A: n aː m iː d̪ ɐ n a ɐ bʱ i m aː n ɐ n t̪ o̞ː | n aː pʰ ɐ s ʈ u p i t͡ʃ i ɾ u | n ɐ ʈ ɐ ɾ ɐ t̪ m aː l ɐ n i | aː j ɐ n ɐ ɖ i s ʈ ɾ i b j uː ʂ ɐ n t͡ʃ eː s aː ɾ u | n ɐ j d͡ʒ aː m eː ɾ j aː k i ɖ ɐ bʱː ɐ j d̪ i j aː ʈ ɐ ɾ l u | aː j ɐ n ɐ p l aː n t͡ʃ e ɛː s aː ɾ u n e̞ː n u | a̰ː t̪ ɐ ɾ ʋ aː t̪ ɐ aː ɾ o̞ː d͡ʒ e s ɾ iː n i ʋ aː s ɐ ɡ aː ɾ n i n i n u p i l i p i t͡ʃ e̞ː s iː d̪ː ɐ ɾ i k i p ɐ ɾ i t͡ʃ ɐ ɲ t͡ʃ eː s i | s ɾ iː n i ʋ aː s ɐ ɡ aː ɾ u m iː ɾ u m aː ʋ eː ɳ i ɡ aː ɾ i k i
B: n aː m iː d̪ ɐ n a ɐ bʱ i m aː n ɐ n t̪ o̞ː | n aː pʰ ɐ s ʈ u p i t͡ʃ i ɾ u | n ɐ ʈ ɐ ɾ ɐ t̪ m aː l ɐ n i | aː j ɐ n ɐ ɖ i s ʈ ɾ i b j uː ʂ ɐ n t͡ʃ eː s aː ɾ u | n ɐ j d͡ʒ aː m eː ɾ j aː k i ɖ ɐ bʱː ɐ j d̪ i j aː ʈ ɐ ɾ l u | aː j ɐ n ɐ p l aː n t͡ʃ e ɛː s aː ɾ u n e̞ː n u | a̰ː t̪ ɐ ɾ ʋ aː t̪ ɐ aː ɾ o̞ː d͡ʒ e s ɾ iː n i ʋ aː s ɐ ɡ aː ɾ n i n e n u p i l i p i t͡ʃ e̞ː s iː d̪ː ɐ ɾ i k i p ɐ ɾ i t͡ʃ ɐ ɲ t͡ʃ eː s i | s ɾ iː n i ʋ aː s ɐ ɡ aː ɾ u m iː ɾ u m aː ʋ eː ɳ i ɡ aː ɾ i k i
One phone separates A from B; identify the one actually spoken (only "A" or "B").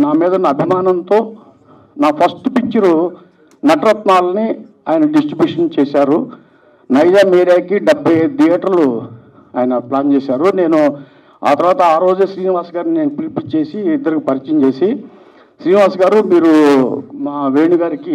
B